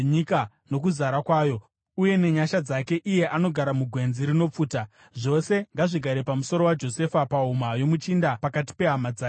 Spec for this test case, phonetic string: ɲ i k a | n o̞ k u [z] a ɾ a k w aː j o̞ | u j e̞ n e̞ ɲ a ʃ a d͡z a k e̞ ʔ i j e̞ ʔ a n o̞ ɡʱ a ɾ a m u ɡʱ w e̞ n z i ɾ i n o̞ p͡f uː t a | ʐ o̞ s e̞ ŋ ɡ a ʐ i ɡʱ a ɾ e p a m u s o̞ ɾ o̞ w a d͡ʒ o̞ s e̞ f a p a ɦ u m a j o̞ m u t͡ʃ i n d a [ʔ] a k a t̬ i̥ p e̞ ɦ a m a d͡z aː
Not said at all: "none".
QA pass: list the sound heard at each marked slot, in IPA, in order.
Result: z, p

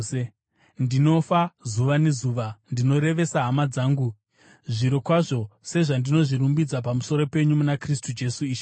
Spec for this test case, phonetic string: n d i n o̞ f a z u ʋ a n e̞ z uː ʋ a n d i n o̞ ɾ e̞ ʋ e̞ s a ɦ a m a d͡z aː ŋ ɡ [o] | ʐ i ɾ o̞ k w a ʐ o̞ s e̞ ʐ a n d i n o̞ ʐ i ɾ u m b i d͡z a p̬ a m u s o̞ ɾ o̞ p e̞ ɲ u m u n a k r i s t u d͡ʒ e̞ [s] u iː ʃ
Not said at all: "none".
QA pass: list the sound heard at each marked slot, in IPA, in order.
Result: u, s

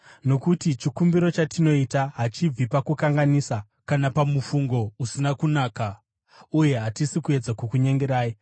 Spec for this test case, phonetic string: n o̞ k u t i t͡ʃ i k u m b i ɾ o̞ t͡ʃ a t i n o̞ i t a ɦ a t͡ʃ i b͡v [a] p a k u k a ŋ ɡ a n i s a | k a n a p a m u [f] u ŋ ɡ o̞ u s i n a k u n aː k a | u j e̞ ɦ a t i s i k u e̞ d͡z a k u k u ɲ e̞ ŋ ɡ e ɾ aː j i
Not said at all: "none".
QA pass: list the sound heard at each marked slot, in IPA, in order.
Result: i, f

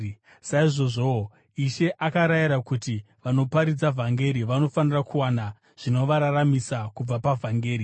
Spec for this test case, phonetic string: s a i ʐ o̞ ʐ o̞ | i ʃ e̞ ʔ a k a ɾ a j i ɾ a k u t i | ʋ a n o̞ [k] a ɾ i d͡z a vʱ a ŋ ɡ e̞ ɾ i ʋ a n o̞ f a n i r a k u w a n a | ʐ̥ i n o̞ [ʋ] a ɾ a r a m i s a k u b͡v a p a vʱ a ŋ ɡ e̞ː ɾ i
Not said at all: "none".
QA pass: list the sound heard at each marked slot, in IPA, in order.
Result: p, ʋ

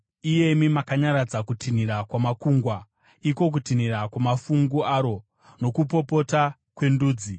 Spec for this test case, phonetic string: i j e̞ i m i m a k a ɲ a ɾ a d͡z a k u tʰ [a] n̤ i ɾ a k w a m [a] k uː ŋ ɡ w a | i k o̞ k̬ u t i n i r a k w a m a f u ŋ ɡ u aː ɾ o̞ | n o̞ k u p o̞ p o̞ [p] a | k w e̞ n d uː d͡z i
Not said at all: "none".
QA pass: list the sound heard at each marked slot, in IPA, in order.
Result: i, a, t

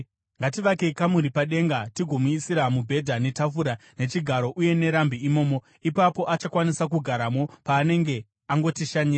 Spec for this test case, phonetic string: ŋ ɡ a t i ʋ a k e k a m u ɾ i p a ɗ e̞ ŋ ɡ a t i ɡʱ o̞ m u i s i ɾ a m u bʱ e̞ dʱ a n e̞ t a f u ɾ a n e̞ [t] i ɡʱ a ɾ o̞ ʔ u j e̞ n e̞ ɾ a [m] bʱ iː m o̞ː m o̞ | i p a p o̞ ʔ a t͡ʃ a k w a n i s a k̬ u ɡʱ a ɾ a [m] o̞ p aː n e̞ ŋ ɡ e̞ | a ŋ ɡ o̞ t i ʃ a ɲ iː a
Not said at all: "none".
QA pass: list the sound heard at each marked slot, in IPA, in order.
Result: t͡ʃ, m, m

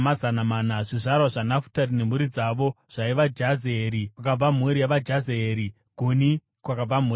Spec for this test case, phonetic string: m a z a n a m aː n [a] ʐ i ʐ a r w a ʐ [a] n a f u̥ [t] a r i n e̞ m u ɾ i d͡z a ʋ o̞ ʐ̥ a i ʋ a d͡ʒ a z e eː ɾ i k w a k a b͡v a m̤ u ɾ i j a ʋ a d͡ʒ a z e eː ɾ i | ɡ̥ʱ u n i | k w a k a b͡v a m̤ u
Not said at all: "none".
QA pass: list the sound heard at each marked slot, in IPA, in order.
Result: a, a, t

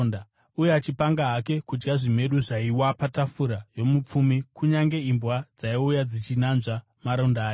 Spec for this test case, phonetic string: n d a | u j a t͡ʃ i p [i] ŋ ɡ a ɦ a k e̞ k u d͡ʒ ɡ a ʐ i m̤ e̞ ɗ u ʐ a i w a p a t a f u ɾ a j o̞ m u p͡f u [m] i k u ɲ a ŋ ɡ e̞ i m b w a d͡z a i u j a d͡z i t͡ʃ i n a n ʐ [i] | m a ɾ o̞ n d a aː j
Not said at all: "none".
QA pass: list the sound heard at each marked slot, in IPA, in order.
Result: a, m, a

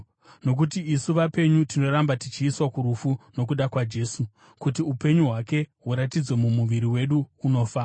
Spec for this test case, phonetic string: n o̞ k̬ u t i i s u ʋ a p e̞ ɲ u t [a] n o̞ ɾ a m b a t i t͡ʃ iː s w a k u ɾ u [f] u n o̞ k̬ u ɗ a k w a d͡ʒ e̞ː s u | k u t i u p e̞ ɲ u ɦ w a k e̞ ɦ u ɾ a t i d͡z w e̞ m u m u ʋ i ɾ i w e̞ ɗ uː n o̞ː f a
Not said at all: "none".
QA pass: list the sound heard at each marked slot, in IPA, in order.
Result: i, f

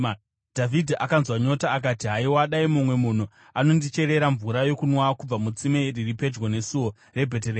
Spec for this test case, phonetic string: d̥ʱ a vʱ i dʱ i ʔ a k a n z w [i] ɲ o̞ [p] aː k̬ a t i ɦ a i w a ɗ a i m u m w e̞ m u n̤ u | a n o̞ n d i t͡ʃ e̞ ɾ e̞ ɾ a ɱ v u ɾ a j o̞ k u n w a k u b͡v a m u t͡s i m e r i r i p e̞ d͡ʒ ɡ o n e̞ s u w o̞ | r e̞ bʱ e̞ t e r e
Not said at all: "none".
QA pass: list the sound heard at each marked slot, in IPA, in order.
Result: a, t

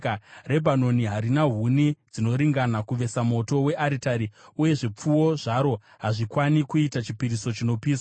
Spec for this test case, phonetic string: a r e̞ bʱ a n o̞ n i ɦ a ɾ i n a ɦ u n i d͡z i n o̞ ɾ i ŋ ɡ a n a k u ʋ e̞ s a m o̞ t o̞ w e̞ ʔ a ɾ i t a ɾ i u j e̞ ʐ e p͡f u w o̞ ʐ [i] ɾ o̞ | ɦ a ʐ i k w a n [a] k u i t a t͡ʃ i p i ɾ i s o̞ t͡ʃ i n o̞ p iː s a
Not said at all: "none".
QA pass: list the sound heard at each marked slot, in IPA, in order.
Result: a, i

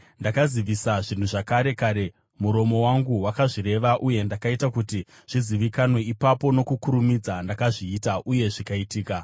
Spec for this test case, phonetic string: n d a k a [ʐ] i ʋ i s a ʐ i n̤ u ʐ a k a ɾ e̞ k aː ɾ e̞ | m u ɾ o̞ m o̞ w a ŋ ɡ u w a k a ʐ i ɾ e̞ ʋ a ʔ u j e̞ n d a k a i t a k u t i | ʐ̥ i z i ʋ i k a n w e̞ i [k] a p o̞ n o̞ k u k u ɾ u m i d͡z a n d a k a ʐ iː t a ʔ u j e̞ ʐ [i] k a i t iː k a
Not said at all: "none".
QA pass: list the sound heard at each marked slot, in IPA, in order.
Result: z, p, i

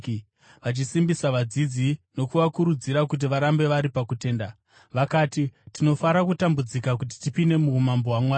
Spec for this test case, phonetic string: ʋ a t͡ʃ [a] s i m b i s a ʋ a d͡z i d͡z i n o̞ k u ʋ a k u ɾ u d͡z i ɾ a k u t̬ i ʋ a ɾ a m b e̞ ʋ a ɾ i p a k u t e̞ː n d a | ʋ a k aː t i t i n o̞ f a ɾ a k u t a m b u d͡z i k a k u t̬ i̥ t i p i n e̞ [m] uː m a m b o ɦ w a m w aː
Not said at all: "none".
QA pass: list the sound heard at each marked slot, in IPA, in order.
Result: i, m

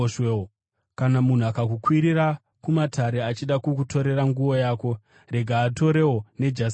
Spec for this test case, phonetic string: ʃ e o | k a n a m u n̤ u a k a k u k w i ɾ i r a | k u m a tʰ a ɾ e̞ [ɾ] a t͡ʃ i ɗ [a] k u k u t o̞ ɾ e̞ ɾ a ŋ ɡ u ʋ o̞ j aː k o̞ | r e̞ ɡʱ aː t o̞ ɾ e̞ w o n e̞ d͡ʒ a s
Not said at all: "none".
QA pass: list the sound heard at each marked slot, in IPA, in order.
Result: none, a

